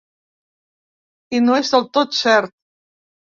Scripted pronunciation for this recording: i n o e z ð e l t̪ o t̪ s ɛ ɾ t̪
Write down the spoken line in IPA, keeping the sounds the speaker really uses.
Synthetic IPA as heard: i n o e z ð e l t̪ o t̪ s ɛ ɾ t̪